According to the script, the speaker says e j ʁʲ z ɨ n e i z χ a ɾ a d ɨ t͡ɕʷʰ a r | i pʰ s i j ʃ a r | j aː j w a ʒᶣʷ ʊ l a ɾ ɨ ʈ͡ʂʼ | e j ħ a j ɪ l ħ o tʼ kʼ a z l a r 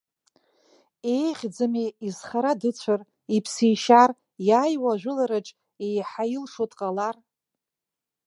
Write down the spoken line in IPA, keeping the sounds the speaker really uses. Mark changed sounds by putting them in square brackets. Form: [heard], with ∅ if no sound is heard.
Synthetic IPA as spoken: e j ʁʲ [d͡z] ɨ [m] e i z χ a ɾ a d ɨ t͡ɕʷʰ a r | i pʰ s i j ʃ a r | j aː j w a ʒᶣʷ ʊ l a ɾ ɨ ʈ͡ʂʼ | e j ħ a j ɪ l [ʂ] o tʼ [qʼ] a [∅] l a r